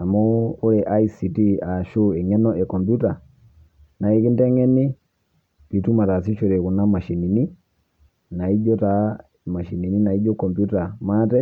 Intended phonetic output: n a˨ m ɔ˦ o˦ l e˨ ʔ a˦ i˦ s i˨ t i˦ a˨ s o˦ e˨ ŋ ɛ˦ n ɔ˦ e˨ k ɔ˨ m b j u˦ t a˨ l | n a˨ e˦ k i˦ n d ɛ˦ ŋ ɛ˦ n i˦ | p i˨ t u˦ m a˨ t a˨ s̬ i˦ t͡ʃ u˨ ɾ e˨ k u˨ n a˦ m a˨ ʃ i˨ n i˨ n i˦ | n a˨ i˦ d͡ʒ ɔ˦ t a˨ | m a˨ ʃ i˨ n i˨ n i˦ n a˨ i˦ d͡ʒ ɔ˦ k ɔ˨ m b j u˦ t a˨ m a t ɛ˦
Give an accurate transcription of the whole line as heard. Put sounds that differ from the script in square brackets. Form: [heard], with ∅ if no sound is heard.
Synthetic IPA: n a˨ m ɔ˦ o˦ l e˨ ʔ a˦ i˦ s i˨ t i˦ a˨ [ʃ] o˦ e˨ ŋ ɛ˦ n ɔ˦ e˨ k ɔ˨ m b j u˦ t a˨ [∅] | n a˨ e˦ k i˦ n d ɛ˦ ŋ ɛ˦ n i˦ | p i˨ t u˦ m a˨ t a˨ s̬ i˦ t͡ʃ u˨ ɾ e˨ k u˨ n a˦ m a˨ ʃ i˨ n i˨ n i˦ | n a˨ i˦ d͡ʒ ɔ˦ t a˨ | m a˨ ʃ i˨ n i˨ n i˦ n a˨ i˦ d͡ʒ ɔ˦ k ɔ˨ m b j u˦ t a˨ m a t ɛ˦